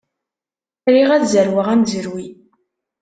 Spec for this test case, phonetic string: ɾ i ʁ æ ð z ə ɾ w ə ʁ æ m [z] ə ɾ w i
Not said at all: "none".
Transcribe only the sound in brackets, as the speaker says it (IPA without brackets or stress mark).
z